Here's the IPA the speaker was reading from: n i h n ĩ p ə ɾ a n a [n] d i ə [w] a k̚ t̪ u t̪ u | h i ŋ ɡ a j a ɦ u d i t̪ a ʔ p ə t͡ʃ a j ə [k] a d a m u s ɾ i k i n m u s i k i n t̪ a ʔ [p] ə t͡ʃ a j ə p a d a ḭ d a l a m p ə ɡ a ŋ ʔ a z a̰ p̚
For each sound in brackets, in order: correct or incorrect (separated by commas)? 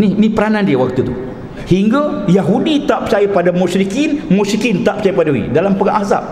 correct, correct, incorrect, correct